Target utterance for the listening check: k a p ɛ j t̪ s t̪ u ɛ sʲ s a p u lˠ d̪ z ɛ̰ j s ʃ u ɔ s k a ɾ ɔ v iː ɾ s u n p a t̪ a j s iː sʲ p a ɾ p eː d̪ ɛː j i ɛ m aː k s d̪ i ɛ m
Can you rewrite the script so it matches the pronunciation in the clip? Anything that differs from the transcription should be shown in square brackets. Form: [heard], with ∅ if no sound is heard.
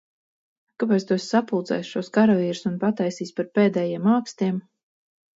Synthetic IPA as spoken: k a p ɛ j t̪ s t̪ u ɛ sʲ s a p u lˠ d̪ z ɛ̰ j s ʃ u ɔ s k a ɾ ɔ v iː ɾ s u n p a t̪ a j s iː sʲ p a ɾ p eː d̪ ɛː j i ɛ m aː k s [t̪] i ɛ m